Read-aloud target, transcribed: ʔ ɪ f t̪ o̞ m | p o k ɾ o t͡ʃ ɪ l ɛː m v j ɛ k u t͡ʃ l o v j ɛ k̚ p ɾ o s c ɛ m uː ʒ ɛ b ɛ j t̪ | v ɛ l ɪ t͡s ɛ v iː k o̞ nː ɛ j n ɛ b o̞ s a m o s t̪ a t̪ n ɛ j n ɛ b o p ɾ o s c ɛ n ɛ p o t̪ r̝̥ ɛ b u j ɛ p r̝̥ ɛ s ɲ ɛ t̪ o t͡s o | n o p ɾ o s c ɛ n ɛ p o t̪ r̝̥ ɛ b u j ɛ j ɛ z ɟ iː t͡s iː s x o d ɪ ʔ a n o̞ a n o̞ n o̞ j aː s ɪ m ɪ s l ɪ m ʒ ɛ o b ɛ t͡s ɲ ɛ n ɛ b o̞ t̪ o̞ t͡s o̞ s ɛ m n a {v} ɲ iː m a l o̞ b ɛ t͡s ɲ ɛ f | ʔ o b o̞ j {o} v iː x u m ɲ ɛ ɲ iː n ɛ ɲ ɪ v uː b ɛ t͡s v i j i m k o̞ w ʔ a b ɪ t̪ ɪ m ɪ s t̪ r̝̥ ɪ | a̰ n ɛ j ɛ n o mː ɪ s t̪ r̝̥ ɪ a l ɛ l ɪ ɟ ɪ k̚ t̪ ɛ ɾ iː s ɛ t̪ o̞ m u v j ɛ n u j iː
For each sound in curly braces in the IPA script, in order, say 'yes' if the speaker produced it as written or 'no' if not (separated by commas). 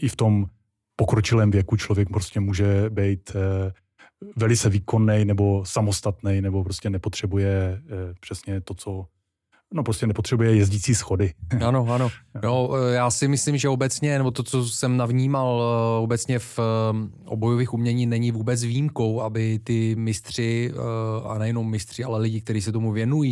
yes, yes